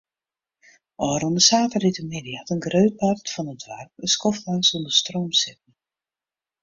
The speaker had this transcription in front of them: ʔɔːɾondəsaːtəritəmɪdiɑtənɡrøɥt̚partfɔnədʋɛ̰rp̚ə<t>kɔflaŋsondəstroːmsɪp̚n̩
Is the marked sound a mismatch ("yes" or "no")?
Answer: yes